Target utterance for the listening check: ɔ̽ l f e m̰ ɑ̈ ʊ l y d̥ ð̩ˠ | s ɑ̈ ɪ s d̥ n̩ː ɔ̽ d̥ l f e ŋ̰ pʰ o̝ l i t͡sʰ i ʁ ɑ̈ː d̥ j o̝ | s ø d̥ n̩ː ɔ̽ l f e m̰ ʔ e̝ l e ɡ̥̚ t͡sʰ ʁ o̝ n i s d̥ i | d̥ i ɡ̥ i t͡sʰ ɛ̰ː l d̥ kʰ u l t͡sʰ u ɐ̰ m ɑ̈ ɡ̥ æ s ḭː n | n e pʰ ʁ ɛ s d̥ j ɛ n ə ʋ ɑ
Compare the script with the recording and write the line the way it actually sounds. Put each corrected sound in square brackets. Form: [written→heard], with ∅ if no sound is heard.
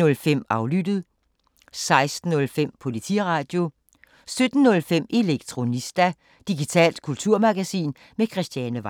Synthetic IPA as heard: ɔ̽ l f e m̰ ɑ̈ ʊ l y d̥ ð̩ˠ | s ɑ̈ ɪ s d̥ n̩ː ɔ̽ [d̥→∅] l f e [ŋ̰→m̰] pʰ o̝ l i t͡sʰ i ʁ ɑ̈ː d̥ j o̝ | s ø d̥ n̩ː ɔ̽ l f e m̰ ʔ e̝ l e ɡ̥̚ t͡sʰ ʁ o̝ n i s d̥ [i→æ] | d̥ i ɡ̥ i t͡sʰ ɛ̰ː l d̥ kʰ u l t͡sʰ u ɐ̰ m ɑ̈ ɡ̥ æ s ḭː n | [n→m] e [pʰ→kʰ] ʁ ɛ s d̥ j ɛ n ə ʋ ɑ